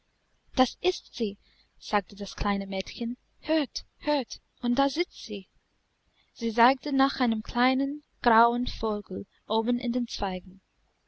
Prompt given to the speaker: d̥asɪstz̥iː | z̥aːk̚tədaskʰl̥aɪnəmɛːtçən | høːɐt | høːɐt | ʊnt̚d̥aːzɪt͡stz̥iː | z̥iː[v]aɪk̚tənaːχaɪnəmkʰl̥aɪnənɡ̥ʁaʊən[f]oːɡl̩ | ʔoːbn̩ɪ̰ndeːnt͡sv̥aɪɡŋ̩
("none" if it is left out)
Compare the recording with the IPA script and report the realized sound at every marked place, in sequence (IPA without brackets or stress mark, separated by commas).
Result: z, f